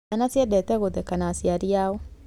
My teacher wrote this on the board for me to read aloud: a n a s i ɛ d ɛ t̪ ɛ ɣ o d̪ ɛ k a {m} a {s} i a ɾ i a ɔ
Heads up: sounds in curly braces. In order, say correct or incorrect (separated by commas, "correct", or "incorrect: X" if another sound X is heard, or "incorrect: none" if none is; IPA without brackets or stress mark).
incorrect: n, correct